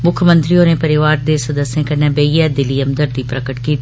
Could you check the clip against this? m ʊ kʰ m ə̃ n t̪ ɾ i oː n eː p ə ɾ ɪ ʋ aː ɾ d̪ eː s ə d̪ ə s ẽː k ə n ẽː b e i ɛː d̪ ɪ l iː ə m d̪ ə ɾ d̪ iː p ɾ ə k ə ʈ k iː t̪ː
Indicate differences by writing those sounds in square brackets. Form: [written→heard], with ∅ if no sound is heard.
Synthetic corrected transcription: m ʊ kʰ m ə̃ n t̪ ɾ i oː n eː p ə ɾ ɪ ʋ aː ɾ d̪ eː s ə d̪ ə s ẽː k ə n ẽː b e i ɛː d̪ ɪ l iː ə m d̪ ə ɾ d̪ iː p ɾ ə k ə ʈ k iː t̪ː